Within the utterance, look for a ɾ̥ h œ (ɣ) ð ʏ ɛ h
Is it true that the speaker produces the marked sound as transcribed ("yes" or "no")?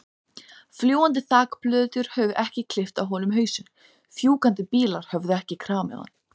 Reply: no